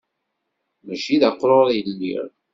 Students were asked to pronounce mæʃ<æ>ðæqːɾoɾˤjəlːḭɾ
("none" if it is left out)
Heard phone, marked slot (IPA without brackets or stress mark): i